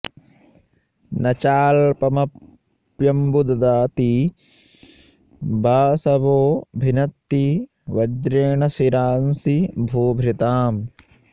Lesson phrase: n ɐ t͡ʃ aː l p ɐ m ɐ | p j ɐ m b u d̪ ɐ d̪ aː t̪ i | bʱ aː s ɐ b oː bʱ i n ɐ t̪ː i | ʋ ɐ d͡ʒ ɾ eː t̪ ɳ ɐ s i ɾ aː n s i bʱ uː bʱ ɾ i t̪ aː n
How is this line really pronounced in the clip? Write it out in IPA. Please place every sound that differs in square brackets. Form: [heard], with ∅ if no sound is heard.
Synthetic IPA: n ɐ t͡ʃ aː l p ɐ m ɐ | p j ɐ m b u d̪ ɐ d̪ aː t̪ i | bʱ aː s ɐ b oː bʱ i n ɐ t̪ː i | ʋ ɐ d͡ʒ ɾ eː [∅] ɳ ɐ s i ɾ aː n s i bʱ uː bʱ ɾ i t̪ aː [m]